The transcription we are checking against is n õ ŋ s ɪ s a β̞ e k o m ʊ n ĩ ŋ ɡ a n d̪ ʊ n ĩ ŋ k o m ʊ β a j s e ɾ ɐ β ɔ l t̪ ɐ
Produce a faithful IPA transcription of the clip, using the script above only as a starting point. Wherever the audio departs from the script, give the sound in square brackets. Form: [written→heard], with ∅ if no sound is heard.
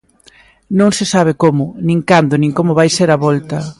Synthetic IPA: n õ ŋ s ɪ s a β̞ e k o m ʊ n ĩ ŋ [ɡ→k] a n d̪ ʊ n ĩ ŋ k o m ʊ β a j s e ɾ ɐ β ɔ l t̪ ɐ